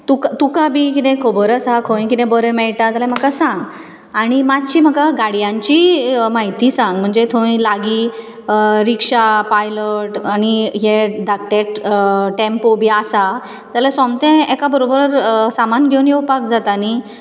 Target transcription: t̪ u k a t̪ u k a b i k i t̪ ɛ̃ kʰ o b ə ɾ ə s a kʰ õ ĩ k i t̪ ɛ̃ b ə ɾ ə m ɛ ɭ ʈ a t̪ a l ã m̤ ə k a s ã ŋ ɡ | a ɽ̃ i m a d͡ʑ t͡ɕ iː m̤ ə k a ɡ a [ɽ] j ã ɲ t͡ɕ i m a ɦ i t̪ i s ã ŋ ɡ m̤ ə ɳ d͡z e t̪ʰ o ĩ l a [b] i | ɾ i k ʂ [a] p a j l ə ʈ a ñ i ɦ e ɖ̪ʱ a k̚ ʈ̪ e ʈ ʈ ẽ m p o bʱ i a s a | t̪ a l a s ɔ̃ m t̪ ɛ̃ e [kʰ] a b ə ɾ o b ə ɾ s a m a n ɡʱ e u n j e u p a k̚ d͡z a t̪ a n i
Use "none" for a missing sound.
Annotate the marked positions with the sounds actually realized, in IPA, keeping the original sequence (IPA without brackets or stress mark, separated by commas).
ɽ, ɡ, a, k